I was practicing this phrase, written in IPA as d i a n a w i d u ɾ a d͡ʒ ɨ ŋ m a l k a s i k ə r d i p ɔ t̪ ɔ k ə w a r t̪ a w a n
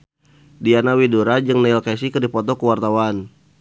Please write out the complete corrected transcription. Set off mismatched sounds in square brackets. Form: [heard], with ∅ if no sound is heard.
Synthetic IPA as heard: d i a n a w i d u ɾ a d͡ʒ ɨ ŋ [n] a l k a s i k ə r d i p ɔ t̪ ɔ k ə w a r t̪ a w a n